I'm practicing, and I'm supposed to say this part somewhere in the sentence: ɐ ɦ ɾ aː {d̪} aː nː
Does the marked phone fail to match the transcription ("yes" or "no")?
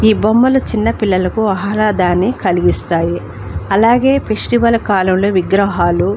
no